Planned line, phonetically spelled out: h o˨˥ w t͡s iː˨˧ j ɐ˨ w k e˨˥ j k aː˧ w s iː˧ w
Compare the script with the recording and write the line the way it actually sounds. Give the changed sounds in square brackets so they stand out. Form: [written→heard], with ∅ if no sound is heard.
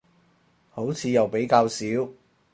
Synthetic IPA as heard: h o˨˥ w [t͡s→t͡sʰ] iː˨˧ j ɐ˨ w [k→p] e˨˥ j k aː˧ w s [iː˧→iː˨˥] w